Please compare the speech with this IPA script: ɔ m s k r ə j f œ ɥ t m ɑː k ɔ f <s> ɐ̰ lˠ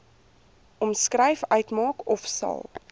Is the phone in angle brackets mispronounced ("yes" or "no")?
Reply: no